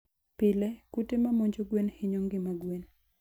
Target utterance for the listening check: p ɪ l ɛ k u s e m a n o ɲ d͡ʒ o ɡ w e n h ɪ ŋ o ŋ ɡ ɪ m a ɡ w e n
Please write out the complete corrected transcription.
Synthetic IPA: p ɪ l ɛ k u t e m a m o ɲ d͡ʒ o ɡ w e n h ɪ ɲ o ŋ ɡ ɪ m a ɡ w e n